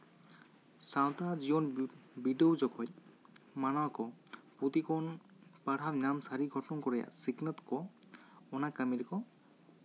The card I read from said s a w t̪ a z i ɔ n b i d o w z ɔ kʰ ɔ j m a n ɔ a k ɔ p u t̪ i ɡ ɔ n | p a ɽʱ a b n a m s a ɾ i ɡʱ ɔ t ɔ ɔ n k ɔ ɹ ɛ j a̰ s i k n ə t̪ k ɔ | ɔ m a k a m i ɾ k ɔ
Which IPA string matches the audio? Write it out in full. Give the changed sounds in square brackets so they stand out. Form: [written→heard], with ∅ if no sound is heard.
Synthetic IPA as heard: s a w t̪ a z i ɔ n b i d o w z ɔ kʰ ɔ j m a n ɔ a k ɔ p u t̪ i [ɡ→k] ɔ n | p a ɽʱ a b n a m s a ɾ i ɡʱ ɔ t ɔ ɔ n k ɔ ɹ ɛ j a̰ s i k n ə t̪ k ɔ | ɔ [m→n] a k a m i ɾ k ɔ